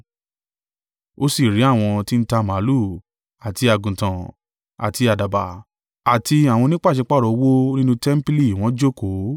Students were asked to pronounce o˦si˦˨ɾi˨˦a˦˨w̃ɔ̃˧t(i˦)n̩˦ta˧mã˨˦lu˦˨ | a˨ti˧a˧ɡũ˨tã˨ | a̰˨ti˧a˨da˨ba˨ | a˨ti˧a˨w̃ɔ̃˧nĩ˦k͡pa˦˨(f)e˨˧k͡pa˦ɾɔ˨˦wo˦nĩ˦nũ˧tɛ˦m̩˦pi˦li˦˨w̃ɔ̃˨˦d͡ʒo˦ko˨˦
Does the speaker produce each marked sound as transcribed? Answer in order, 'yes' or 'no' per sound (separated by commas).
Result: yes, no